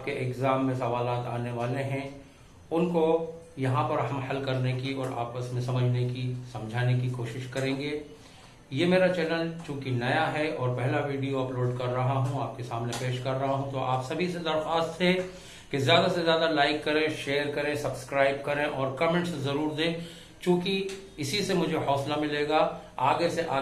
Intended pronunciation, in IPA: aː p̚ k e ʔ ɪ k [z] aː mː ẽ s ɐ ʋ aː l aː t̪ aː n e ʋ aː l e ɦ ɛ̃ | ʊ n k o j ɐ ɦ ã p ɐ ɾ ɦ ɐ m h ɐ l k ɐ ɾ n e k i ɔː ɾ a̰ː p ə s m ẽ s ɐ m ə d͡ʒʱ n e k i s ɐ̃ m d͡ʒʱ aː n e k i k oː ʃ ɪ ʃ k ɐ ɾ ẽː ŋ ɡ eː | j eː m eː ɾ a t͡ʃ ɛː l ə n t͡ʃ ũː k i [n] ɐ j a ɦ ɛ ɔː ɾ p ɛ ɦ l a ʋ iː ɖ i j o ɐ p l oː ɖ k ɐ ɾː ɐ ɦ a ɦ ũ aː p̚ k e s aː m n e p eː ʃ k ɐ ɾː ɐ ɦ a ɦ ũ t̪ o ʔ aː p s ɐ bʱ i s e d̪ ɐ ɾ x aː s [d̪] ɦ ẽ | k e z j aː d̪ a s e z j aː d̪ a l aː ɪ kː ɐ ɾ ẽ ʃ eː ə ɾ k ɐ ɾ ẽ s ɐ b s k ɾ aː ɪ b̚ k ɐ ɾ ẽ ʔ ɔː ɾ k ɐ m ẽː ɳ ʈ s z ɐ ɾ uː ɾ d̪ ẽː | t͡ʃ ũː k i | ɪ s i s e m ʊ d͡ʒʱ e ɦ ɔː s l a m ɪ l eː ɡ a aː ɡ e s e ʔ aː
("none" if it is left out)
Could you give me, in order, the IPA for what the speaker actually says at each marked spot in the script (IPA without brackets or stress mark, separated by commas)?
z, n, t̪